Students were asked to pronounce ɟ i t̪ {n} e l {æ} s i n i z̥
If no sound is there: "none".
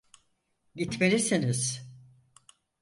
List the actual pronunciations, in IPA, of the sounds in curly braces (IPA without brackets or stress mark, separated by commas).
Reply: m, i